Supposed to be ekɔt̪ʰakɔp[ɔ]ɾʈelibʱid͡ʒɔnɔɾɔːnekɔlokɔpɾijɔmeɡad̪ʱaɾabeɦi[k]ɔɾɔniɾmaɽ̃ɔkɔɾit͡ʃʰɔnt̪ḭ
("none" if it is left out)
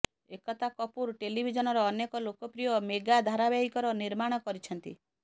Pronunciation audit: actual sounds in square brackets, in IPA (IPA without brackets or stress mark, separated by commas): u, k